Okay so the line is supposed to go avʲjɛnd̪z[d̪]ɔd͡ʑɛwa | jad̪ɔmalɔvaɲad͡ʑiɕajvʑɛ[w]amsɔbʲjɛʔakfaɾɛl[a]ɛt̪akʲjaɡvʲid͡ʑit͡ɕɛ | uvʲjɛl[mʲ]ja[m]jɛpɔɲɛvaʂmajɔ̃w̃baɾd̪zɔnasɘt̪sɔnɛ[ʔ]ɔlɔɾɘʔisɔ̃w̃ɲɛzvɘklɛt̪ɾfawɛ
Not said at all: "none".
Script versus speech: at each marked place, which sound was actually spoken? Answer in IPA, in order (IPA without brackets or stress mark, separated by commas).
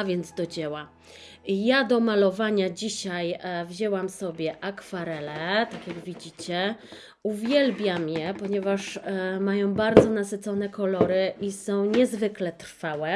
d̪, w, ɛ, bʲ, m, k